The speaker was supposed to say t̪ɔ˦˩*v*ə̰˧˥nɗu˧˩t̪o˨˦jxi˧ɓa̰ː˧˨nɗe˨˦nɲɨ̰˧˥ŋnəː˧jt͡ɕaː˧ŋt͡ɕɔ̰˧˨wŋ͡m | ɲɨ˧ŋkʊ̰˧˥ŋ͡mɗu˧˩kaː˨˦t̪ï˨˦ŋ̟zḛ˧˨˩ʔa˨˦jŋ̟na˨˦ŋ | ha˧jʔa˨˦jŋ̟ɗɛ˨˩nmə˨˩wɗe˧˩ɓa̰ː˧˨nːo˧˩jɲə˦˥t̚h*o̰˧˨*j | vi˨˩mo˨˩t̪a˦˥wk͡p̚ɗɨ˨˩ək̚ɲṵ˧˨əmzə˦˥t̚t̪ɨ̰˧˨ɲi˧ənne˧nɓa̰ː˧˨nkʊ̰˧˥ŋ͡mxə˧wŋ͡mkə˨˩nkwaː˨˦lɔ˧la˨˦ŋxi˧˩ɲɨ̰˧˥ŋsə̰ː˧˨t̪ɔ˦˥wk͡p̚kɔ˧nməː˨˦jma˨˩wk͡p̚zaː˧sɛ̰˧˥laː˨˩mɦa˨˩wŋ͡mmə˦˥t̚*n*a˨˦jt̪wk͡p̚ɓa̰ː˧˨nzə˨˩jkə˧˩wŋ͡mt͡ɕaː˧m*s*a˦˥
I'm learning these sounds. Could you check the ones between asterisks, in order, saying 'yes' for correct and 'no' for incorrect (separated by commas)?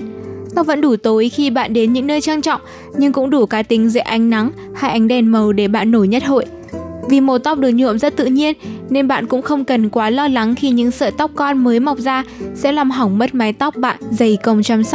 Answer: yes, yes, no, yes